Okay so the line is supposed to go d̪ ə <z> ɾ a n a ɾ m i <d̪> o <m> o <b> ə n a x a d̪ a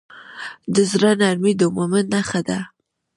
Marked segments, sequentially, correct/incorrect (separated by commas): correct, correct, correct, incorrect